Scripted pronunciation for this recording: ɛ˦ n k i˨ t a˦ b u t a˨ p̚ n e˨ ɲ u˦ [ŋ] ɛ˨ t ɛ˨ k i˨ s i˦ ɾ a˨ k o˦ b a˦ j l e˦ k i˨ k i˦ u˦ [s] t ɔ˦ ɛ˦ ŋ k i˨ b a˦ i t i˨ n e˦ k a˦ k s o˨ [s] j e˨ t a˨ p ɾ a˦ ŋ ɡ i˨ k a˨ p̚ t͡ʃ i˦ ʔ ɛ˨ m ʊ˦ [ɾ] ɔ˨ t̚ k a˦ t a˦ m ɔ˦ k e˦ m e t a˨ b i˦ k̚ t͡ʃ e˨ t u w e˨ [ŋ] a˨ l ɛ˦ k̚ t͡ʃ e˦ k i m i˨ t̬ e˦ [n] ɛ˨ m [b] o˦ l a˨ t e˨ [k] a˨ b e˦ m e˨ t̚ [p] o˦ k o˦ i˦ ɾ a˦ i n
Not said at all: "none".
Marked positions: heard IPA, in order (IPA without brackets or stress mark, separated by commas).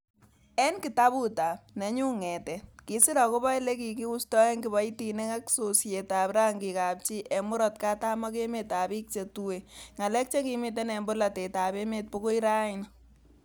ŋ, s, s, ɾ, ŋ, n, b, t, p